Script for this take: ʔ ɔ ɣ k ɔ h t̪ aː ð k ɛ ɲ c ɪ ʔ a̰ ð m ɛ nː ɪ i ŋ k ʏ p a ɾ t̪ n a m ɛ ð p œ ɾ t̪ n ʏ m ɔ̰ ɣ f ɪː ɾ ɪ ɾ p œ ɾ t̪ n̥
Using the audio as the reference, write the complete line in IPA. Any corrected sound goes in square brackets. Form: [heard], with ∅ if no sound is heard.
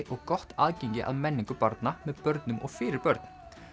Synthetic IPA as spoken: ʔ ɔ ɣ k ɔ h t̪ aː ð [c] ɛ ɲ c ɪ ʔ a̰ ð m ɛ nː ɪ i ŋ k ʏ p a ɾ t̪ n a m ɛ ð p œ ɾ t̪ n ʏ m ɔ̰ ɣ f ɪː ɾ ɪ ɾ p œ ɾ t̪ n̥